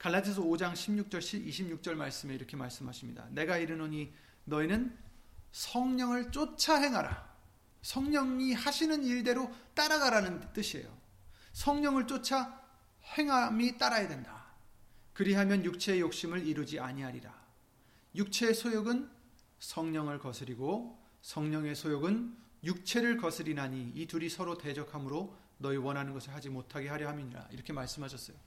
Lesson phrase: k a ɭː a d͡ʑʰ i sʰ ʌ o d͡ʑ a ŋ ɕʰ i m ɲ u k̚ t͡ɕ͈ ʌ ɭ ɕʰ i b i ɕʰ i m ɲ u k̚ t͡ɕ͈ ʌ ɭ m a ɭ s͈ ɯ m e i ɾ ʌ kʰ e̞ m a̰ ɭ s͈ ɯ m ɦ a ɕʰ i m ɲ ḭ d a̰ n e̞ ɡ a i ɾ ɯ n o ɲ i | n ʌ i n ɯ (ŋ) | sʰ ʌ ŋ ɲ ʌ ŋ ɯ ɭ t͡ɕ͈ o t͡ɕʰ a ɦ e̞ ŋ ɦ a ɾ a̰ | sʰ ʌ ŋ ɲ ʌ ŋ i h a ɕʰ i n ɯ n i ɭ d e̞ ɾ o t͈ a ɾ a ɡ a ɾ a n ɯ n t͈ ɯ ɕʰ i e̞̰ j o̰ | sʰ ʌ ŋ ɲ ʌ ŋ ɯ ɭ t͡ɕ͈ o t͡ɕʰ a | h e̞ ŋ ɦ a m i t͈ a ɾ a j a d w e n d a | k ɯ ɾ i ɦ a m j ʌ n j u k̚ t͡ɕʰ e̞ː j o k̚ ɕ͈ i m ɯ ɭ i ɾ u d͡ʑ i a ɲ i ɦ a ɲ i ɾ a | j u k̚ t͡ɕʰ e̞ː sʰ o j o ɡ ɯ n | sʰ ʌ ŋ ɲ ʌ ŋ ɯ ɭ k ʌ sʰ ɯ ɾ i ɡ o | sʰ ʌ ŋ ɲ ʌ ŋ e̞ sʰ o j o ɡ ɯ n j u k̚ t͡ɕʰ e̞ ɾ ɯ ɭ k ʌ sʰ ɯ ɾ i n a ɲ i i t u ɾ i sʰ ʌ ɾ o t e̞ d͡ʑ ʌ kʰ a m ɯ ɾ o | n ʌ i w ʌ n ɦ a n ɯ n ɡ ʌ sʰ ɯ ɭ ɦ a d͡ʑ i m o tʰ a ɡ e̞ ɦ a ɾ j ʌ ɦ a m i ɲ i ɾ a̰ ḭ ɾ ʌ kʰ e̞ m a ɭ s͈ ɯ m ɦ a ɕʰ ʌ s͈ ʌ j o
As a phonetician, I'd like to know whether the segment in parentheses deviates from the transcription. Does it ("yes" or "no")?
yes